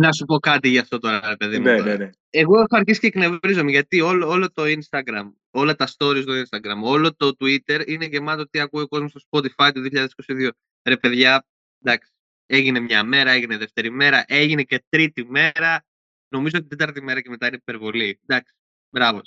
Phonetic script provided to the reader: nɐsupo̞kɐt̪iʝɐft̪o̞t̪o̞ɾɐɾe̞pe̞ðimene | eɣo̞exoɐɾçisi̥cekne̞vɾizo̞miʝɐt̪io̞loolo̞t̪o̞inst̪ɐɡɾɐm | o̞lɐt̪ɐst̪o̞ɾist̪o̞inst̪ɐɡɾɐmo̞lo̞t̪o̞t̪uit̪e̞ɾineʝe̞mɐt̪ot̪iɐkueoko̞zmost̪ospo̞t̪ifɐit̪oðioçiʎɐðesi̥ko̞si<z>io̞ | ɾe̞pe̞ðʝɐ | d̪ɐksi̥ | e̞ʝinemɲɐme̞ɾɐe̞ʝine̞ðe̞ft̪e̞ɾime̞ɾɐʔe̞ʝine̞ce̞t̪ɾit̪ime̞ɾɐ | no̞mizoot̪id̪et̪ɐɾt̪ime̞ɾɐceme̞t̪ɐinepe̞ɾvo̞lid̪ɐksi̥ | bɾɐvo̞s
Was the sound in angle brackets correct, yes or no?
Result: no